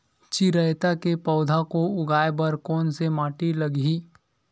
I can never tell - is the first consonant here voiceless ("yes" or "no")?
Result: yes